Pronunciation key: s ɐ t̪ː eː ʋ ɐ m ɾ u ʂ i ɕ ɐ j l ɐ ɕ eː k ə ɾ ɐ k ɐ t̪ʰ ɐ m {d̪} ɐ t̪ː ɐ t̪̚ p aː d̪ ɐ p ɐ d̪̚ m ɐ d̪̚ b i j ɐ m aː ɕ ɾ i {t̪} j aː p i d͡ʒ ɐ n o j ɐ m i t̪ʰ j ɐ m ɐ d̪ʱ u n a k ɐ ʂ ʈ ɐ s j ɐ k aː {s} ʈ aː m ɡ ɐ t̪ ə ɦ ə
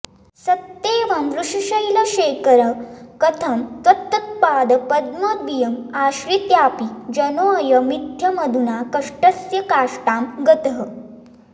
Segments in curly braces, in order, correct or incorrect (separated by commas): incorrect, correct, incorrect